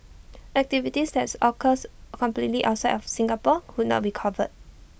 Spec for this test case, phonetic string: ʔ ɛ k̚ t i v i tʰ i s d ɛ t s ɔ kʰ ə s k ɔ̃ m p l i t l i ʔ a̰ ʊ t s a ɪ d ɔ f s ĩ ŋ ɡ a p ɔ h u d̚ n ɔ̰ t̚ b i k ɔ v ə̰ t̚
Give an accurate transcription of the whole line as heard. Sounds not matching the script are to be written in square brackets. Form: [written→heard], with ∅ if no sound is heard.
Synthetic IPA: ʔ ɛ k̚ t i v i [tʰ→t] i s d ɛ t s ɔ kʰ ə s k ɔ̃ m p l i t l i ʔ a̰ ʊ t s a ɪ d ɔ f s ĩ ŋ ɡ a p ɔ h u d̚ n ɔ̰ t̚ b i [k→kʰ] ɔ v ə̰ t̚